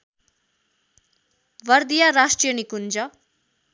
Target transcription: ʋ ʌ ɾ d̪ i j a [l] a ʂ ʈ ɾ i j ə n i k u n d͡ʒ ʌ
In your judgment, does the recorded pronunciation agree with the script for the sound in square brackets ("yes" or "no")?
no